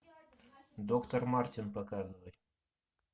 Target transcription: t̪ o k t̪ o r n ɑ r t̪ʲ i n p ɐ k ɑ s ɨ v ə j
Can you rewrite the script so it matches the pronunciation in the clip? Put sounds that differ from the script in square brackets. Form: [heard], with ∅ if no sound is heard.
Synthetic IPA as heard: [d̪] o k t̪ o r [m] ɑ r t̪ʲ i n p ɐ k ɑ [z] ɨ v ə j